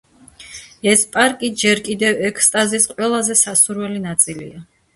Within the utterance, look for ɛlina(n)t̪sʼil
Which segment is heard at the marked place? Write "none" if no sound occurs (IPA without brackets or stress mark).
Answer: none